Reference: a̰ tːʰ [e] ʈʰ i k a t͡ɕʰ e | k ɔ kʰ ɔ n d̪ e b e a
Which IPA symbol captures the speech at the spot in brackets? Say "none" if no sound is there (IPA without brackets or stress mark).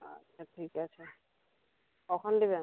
a